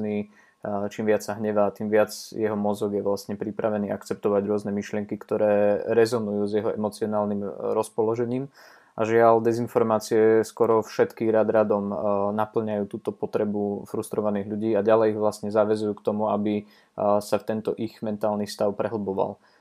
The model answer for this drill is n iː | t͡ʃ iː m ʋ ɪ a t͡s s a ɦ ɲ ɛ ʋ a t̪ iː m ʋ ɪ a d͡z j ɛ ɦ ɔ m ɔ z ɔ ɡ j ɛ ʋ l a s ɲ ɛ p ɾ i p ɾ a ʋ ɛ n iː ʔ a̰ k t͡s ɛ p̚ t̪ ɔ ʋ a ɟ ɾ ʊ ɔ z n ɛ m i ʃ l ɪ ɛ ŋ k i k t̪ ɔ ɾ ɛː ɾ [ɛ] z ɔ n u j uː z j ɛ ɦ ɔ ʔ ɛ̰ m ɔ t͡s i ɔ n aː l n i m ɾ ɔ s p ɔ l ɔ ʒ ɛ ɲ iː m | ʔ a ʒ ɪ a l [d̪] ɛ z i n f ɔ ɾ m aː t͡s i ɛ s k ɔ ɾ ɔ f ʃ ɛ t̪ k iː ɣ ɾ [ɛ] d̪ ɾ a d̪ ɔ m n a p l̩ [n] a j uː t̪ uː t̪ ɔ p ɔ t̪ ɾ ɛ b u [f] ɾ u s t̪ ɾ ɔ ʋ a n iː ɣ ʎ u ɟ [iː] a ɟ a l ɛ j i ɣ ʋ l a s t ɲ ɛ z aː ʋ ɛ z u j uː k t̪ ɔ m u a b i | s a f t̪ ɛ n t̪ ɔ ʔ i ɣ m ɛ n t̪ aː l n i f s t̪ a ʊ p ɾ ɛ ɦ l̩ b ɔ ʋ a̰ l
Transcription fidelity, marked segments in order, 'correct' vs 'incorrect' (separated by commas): correct, correct, incorrect, incorrect, correct, correct